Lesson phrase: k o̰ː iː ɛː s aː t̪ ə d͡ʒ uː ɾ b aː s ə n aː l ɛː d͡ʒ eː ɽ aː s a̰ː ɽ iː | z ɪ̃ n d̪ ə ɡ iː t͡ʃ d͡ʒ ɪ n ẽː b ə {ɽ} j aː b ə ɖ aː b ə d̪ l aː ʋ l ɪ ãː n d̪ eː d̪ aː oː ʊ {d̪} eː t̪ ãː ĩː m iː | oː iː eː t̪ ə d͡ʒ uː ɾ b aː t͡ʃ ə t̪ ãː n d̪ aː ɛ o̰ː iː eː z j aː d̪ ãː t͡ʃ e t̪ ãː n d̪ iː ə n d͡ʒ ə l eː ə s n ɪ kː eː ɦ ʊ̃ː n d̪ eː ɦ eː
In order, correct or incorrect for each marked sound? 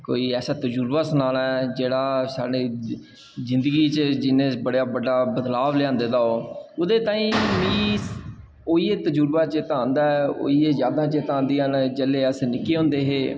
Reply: correct, correct

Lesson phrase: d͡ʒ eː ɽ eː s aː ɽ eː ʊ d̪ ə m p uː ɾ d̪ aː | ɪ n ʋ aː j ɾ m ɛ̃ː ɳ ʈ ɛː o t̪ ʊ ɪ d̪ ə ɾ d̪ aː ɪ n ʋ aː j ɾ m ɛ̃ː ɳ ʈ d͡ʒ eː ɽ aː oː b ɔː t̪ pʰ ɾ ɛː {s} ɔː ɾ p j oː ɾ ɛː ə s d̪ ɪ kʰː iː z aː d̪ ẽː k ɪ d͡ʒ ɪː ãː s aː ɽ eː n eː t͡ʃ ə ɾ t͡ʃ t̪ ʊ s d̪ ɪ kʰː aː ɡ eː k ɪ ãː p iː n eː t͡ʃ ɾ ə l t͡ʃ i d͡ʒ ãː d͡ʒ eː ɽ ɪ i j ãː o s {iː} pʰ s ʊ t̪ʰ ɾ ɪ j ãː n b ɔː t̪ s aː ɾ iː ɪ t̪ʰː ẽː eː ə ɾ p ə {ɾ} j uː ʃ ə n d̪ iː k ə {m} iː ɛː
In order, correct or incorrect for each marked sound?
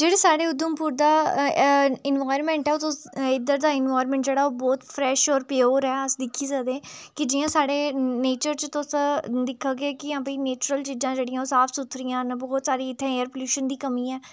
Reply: incorrect: ʃ, incorrect: aː, incorrect: l, correct

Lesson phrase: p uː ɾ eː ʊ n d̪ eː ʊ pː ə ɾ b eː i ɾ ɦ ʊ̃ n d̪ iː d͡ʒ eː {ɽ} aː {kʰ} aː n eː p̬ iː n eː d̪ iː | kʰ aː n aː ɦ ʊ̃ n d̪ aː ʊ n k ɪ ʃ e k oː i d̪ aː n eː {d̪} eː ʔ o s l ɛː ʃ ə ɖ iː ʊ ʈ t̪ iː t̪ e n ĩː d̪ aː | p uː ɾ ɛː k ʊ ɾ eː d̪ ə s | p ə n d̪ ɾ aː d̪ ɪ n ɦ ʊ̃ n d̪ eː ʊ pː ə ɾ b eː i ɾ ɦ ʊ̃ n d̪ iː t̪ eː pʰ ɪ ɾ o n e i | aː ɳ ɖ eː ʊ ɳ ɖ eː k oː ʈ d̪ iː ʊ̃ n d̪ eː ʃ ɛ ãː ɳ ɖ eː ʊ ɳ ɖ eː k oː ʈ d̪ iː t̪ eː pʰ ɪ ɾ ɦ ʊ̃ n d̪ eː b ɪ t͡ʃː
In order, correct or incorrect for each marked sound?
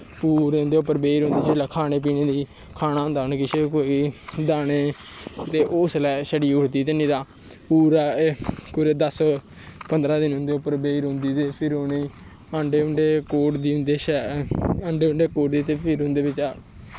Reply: incorrect: l, correct, incorrect: t̪

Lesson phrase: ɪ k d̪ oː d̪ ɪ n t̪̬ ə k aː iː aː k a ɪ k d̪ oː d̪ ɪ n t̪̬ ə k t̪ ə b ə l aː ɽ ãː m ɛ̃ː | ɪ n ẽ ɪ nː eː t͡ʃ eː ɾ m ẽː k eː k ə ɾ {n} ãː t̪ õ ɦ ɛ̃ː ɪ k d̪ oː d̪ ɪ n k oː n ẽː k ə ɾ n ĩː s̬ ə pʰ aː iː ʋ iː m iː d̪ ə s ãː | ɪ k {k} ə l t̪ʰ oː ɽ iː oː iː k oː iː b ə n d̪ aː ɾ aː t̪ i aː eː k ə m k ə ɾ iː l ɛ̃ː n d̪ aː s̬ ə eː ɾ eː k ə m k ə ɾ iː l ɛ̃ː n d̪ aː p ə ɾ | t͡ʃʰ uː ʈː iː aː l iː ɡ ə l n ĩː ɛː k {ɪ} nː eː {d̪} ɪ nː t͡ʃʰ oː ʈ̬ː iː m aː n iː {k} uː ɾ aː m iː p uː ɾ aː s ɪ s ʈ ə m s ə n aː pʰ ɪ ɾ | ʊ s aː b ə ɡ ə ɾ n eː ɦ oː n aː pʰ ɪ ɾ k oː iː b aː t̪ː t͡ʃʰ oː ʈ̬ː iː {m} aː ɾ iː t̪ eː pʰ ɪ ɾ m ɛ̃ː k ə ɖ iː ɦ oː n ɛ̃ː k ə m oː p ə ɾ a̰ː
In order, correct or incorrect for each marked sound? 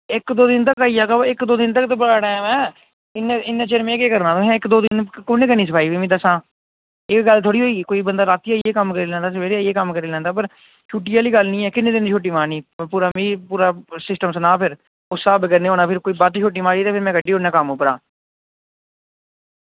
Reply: correct, incorrect: ɡ, correct, correct, incorrect: p, correct

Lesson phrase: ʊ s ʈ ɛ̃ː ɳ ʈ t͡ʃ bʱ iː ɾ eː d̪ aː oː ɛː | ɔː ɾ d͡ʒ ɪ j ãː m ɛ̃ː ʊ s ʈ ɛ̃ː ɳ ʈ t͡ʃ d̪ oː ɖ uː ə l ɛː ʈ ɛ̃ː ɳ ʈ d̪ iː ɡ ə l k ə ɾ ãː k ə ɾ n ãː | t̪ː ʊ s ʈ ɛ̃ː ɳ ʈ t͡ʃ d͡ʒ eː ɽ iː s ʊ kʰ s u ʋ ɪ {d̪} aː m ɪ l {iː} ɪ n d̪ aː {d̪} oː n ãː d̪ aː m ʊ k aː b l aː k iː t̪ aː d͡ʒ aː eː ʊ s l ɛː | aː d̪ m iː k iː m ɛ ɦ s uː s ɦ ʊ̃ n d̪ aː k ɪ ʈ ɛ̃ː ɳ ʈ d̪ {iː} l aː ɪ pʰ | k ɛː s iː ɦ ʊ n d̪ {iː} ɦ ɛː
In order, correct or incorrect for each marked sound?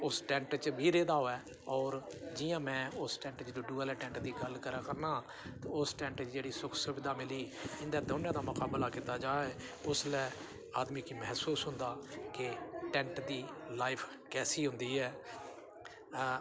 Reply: correct, correct, correct, correct, correct

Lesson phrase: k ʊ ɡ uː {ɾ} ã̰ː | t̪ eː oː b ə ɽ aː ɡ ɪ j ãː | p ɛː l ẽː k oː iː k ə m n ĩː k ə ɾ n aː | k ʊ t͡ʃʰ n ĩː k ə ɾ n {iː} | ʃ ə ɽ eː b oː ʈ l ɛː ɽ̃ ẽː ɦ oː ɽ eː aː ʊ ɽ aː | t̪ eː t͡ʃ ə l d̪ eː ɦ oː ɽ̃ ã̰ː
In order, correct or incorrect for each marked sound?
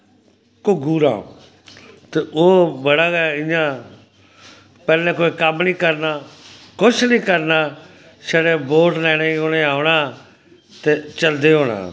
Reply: correct, incorrect: aː

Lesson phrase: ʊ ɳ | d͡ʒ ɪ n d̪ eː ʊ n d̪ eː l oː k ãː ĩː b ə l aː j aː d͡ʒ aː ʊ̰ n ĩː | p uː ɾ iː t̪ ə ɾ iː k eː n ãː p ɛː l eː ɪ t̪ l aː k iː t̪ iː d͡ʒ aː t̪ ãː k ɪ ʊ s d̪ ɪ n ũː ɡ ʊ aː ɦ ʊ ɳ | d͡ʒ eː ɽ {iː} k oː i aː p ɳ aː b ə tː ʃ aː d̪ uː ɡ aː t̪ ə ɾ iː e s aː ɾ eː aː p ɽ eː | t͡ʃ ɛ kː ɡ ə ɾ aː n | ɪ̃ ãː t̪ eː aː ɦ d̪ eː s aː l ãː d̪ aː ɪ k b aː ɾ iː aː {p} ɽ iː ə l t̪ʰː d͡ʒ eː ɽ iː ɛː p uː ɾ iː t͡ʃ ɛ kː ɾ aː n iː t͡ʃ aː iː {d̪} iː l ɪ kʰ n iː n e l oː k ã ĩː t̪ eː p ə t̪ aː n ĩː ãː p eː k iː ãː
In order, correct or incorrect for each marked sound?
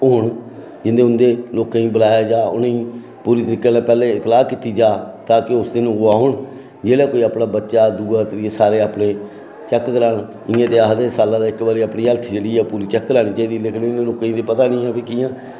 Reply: incorrect: aː, correct, correct

